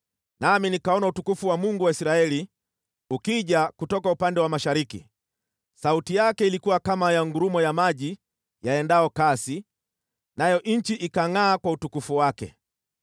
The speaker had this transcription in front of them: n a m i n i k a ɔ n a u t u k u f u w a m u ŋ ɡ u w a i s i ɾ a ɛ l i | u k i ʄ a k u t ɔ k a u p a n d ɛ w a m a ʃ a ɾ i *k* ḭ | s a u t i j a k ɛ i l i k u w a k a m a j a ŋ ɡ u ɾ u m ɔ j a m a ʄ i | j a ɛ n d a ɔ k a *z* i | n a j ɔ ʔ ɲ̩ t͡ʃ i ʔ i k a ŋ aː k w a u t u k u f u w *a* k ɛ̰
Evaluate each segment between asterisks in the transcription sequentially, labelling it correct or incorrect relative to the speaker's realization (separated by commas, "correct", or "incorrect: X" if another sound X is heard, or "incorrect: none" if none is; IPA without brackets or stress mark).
correct, incorrect: s, correct